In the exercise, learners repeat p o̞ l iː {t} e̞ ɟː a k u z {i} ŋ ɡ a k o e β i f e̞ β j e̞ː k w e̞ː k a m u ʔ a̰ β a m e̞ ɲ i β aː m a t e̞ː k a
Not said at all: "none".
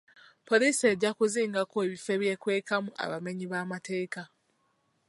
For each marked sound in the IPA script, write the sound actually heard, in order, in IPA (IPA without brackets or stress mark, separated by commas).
s, iː